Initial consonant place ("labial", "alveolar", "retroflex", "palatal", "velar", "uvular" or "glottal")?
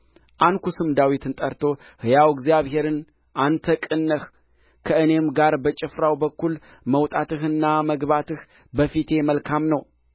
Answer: glottal